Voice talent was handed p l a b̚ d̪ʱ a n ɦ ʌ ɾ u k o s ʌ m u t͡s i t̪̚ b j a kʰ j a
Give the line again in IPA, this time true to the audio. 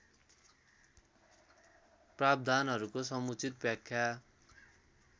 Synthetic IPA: p r a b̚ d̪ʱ a n ɦ ʌ ɾ u k o s ʌ m u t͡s i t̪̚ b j a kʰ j a